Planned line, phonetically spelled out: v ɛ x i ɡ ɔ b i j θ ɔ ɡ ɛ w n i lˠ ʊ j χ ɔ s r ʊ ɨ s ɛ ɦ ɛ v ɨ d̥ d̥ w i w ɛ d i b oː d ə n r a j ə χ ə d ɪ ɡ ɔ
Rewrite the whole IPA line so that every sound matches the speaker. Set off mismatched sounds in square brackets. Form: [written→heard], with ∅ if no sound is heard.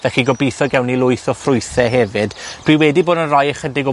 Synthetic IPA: v ɛ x i ɡ ɔ b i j θ ɔ ɡ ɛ w n i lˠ ʊ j [χ→θ] ɔ [s→f] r ʊ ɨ [s→θ] ɛ ɦ ɛ v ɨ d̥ d̥ w i w ɛ d i b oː d ə n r a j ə χ ə d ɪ ɡ ɔ